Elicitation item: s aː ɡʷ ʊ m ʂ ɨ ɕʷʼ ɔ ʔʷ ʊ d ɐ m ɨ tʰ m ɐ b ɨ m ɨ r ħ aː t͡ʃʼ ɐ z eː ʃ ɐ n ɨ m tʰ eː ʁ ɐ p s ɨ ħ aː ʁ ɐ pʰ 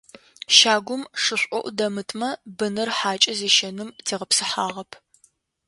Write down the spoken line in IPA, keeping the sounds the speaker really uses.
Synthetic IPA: ʃ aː ɡʷ ʊ m ʂ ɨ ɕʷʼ ɔ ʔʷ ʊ d ɐ m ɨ tʰ m ɐ b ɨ n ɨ r ħ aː t͡ʃʼ ɐ z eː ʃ ɐ n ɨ m tʰ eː ʁ ɐ p s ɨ ħ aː ʁ ɐ pʰ

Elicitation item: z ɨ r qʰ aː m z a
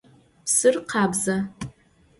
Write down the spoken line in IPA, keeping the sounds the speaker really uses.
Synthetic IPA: s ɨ r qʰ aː b z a

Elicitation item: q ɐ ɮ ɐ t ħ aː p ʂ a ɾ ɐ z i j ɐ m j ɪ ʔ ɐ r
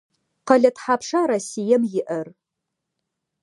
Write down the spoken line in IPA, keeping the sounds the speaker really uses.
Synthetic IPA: q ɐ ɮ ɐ t ħ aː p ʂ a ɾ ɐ s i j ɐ m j ɪ ʔ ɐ r

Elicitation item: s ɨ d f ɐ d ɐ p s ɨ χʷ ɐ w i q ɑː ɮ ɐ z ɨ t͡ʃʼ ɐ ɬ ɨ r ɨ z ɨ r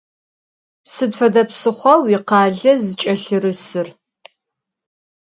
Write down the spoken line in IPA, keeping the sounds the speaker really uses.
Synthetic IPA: s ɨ d f ɐ d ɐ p s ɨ χʷ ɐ w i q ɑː ɮ ɐ z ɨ t͡ʃʼ ɐ ɬ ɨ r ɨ s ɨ r

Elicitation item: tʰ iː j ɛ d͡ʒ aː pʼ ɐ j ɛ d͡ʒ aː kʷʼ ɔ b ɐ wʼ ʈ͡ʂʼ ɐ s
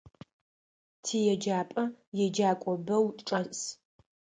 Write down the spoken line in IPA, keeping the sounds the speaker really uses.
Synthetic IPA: tʰ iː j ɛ d͡ʒ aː pʼ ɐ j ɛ d͡ʒ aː kʷʼ ɔ b ɐ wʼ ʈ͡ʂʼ ɐ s

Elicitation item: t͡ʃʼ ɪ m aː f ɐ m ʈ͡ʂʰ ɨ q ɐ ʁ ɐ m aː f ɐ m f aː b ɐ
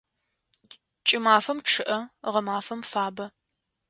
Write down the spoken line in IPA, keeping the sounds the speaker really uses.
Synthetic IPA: t͡ʃʼ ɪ m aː f ɐ m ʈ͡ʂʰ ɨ ʔ ɐ ʁ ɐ m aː f ɐ m f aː b ɐ

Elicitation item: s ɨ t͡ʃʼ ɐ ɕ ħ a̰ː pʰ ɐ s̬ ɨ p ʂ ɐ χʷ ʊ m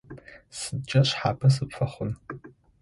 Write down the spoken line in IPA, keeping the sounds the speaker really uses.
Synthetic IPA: s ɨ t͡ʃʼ ɐ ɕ ħ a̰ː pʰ ɐ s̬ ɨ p f ɐ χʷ ʊ n

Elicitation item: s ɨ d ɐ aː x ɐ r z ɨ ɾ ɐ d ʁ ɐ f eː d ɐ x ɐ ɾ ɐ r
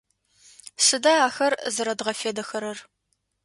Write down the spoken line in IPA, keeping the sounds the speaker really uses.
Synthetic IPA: s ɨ d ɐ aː x ɐ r z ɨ ɾ ɐ d ʁ ɐ f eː d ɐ x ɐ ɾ ɐ r

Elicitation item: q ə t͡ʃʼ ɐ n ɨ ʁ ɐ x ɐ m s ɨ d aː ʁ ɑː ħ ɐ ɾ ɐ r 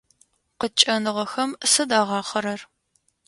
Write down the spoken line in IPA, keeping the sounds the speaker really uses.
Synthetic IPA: q ə t͡ʃʼ ɐ n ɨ ʁ ɐ x ɐ m s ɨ d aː ʁ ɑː χ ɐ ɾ ɐ r

